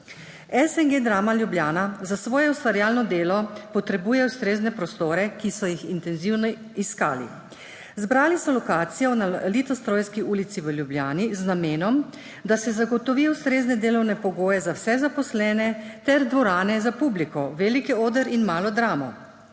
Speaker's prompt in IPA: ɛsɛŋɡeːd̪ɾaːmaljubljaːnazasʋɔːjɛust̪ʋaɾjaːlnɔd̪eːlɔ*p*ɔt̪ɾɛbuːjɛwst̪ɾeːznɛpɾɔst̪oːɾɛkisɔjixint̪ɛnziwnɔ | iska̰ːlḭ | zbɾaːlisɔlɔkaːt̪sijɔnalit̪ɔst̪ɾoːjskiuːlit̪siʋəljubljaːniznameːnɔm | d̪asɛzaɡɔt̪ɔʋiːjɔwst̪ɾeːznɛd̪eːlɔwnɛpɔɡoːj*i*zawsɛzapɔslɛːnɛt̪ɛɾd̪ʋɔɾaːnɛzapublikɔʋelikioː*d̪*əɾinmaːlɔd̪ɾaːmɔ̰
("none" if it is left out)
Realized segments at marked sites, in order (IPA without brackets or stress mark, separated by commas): p, ɛ, d̪